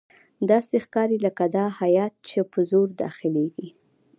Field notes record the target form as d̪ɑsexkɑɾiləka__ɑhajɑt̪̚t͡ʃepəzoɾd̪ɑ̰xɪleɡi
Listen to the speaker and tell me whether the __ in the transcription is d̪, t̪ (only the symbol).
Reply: d̪